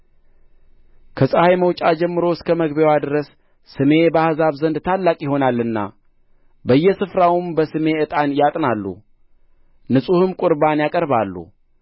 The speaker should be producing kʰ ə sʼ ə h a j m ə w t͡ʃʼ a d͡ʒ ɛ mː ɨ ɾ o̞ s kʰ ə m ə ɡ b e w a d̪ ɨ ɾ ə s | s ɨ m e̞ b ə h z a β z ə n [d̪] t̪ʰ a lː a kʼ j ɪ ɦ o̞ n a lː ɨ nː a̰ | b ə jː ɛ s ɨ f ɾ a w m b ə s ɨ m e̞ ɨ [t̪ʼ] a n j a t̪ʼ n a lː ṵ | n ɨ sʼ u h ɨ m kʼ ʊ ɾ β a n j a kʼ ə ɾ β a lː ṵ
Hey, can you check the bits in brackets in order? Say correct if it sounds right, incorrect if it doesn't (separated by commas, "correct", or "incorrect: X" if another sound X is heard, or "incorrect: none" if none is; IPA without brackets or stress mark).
correct, correct